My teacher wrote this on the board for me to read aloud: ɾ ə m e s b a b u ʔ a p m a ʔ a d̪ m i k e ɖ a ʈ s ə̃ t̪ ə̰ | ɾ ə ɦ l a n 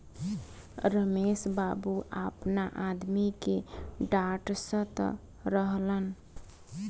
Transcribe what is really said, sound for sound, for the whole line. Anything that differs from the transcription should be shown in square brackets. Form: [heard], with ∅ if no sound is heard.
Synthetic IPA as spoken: ɾ ə m e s b a b u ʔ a p [n] a ʔ a d̪ m i k e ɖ a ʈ s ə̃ t̪ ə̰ | ɾ ə ɦ l [ə] n

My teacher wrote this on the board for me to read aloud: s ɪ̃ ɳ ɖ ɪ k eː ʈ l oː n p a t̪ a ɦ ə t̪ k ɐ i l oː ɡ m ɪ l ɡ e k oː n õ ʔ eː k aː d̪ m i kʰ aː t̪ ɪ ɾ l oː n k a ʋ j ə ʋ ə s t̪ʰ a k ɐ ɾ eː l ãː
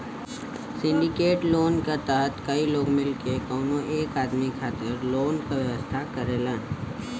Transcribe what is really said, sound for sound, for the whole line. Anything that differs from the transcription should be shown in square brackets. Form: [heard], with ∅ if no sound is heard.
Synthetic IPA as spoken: s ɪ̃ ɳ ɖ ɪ k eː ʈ l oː n [k] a t̪ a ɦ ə t̪ k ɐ i l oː ɡ m ɪ l [k] e k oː n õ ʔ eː k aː d̪ m i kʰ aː t̪ ɪ ɾ l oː n k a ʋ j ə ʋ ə s t̪ʰ a k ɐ ɾ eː l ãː

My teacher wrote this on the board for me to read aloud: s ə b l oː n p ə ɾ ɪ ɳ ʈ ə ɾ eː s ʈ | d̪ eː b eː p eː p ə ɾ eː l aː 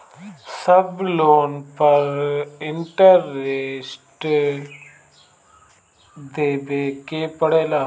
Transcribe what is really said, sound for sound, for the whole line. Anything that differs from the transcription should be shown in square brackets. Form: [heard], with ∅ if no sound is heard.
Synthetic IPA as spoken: s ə b l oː n p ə ɾ ɪ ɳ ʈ ə ɾ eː s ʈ | d̪ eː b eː [k] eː p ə [ɽ] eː l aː

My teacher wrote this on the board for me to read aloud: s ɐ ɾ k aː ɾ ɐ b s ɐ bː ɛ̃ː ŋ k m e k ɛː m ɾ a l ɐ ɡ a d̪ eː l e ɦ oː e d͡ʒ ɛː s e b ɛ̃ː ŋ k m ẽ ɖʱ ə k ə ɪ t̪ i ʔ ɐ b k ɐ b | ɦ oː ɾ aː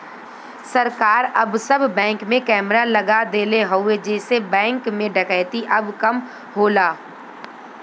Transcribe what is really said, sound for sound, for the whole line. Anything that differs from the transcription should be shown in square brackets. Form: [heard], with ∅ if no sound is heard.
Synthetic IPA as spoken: s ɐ ɾ k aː ɾ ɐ b s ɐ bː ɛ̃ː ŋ k m [ẽ] k ɛː m ɾ a l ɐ ɡ a d̪ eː l e ɦ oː e d͡ʒ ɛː s e b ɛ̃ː ŋ k m ẽ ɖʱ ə k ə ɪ t̪ i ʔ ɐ b k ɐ [m] | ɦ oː [l] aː

